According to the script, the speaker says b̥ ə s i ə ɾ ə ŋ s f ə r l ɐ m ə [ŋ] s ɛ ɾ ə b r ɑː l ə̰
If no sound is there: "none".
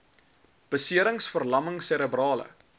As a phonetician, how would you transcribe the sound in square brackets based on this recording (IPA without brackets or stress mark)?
ŋ